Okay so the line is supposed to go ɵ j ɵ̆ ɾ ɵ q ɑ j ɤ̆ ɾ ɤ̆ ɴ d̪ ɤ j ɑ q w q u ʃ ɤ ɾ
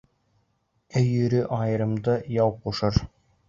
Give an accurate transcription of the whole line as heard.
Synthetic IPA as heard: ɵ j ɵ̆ ɾ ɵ ʔ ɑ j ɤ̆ ɾ ɤ̆ m d̪ ɤ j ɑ w q u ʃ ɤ ɾ